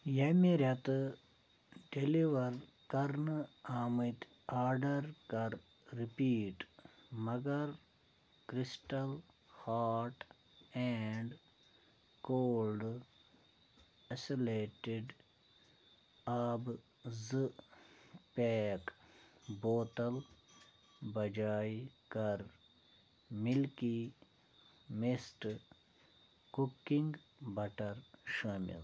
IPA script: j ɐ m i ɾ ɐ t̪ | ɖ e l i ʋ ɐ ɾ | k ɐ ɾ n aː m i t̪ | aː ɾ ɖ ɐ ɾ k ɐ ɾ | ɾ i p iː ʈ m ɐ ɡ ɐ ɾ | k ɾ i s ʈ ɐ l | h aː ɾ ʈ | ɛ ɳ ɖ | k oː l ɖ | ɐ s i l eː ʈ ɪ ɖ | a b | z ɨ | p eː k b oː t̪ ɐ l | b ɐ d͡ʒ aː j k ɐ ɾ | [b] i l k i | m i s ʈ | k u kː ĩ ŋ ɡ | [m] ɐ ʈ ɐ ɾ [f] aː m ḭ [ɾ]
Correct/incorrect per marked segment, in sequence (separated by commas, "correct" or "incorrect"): incorrect, incorrect, incorrect, incorrect